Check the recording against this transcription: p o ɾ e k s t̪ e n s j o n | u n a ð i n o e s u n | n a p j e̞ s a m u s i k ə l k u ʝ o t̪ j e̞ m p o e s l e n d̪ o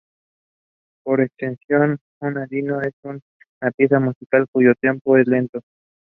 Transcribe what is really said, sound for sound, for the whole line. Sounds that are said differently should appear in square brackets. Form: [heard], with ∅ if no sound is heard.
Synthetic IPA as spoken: p o ɾ e k s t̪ e n s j o n | u n a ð i n o e s u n | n a p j e̞ s a m u s i k [a] l k u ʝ o t̪ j e̞ m p o e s l e n [t̪] o